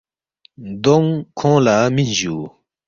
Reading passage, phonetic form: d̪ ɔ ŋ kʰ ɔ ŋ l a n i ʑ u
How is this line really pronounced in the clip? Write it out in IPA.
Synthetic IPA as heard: d̪ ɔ ŋ kʰ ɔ ŋ l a m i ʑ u